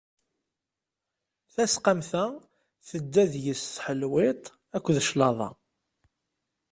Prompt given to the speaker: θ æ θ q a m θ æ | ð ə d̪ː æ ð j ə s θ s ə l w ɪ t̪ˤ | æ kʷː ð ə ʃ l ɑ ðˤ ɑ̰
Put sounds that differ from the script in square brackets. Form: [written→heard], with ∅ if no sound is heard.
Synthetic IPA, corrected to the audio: θ æ [θ→s] q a m θ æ | [ð→θ] ə d̪ː æ ð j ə s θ [s→ħ] ə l w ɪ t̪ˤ | æ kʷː ð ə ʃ l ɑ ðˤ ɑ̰

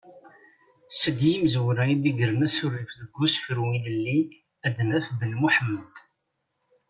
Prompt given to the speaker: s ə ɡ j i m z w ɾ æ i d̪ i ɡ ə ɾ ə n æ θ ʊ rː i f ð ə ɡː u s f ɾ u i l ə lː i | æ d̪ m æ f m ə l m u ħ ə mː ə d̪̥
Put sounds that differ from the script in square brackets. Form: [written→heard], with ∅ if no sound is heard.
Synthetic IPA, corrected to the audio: s ə ɡ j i m z w ɾ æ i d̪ i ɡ ə ɾ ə n æ [θ→s] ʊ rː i f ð ə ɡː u s f ɾ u i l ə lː i | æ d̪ [m→n] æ f [m→b] ə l m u ħ ə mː ə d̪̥

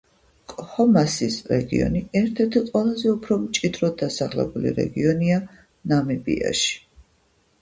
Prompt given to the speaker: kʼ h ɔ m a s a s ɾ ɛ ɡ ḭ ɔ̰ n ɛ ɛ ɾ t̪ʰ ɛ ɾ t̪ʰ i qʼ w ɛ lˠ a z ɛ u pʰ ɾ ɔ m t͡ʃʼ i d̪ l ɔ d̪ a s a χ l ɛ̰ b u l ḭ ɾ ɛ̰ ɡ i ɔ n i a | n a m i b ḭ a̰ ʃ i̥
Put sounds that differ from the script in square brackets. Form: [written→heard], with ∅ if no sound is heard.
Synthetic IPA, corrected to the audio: kʼ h ɔ m a s [a→i] s ɾ ɛ ɡ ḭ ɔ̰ n [ɛ→i] ɛ ɾ t̪ʰ ɛ ɾ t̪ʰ i qʼ w ɛ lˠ a z ɛ u pʰ ɾ ɔ m t͡ʃʼ i d̪ [l→ɾ] ɔ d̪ a s a χ l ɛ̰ b u l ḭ ɾ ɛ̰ ɡ i ɔ n i a | n a m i b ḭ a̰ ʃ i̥

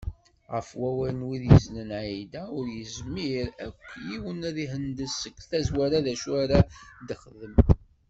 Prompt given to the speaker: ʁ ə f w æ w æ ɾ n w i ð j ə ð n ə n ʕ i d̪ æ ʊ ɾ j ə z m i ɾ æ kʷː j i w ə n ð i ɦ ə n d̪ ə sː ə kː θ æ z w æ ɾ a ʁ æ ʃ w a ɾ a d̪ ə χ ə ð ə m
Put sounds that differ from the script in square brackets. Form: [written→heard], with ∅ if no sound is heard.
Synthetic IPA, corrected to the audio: ʁ ə f w æ w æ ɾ n w i ð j ə [ð→z] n ə n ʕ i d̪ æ ʊ ɾ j ə z m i ɾ æ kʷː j i w ə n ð i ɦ ə n d̪ ə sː ə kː θ æ z w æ ɾ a [ʁ→ð] æ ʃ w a ɾ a d̪ ə χ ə ð ə m

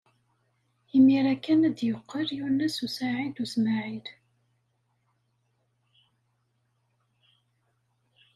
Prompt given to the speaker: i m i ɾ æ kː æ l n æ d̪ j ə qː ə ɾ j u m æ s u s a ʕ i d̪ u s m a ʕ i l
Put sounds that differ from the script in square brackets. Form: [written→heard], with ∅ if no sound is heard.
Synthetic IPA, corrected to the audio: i m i ɾ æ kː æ [l→∅] n æ d̪ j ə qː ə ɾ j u [m→n] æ s u s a ʕ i d̪ u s m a ʕ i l

